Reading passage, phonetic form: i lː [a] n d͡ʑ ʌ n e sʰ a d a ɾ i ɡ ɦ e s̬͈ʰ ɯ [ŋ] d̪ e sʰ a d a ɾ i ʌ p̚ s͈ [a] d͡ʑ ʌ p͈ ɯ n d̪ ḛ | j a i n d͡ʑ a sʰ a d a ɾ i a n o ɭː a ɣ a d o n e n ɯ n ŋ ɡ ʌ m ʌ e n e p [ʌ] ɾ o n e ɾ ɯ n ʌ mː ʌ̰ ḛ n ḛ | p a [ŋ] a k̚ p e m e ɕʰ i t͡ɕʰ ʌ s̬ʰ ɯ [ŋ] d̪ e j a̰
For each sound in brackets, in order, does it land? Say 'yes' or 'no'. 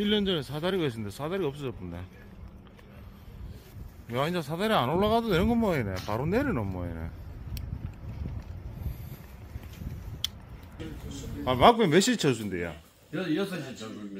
no, no, no, no, no, no

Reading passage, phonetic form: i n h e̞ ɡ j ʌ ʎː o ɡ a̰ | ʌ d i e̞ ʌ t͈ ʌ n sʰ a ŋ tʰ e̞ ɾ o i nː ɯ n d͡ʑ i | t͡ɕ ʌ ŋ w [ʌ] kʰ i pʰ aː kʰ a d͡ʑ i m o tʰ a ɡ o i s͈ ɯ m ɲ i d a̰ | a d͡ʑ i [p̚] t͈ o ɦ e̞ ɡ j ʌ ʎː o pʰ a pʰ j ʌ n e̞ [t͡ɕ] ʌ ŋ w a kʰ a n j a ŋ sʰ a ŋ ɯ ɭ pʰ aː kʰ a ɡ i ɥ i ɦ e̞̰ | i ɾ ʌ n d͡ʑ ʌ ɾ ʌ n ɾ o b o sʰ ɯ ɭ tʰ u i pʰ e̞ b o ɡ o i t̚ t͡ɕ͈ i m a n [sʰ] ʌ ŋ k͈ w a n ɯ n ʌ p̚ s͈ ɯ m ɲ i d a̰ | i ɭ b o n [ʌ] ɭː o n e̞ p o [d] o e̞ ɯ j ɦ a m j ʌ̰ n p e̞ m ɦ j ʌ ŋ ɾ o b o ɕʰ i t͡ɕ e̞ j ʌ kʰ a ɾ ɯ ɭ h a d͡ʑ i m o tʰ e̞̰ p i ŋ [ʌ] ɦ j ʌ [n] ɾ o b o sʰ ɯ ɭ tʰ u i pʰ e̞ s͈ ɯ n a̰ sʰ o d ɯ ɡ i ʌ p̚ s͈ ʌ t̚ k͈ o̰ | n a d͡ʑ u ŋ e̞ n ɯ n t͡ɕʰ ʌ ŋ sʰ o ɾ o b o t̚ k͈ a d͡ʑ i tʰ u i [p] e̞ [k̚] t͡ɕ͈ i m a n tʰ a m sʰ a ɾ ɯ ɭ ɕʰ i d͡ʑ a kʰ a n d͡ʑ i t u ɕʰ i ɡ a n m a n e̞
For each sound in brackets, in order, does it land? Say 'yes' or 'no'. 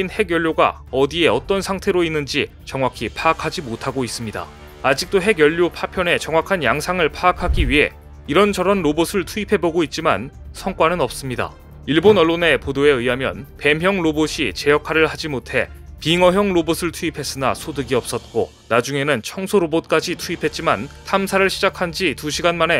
no, no, yes, yes, yes, yes, yes, no, no, no

